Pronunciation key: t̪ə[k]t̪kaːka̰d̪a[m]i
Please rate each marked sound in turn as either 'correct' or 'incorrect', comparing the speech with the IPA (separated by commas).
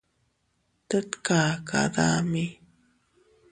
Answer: incorrect, correct